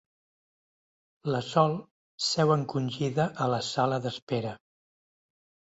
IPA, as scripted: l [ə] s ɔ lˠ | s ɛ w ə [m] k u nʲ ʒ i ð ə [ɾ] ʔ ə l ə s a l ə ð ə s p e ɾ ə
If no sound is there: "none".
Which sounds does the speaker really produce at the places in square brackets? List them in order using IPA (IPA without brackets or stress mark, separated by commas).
ə, ŋ, none